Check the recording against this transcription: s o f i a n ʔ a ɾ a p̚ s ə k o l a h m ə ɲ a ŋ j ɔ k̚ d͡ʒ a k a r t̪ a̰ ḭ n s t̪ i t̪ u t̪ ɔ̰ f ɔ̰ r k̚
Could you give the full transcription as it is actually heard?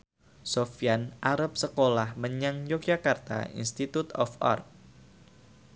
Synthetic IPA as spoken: s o f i a n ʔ a ɾ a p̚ s ə k o l a h m ə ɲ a ŋ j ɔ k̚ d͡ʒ a k a r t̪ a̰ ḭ n s t̪ i t̪ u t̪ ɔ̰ f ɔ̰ r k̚

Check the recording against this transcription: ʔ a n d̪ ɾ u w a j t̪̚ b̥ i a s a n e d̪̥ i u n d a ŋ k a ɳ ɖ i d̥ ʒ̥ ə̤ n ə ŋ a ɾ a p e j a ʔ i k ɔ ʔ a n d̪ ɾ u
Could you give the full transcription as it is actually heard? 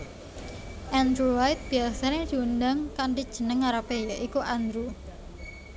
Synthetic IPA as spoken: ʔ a n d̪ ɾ u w a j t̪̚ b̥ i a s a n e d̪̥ i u n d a ŋ k a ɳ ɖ i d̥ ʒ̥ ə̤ n ə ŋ a ɾ a p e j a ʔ i k u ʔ a n d̪ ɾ u

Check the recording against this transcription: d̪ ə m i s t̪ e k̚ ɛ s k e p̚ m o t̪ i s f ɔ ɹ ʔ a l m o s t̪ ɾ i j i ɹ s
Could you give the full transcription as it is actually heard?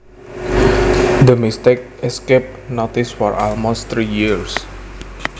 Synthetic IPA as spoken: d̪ ə m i s t̪ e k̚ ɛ s k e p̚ n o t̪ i s f ɔ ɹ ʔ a l m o s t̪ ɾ i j i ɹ s

